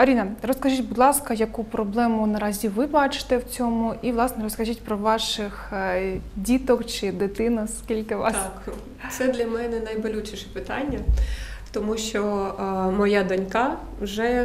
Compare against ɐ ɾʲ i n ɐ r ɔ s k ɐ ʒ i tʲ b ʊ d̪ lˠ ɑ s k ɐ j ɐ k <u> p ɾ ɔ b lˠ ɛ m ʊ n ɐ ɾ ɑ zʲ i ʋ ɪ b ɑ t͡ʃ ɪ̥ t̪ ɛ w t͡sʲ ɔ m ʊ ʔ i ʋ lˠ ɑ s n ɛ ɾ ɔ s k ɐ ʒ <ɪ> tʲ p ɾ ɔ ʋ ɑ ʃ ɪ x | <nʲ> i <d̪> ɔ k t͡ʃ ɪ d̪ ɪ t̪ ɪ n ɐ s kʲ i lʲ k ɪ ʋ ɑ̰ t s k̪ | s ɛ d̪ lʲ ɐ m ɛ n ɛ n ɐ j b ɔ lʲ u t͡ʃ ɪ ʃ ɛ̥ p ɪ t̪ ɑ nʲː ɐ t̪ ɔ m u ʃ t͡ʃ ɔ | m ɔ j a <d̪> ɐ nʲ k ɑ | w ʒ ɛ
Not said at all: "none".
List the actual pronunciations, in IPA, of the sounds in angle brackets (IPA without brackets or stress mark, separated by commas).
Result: u, i, dʲ, t̪, d̪